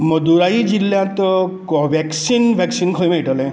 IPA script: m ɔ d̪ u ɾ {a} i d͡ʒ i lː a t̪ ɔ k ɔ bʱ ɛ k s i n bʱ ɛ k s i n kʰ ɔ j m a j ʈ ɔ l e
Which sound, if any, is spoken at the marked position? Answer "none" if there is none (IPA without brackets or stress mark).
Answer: a